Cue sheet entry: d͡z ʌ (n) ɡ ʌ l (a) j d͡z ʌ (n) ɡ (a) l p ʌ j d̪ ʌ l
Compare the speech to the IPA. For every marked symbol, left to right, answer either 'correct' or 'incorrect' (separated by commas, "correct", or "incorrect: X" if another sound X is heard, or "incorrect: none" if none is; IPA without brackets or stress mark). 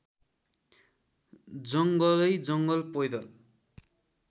incorrect: ŋ, incorrect: ʌ, incorrect: ŋ, incorrect: ʌ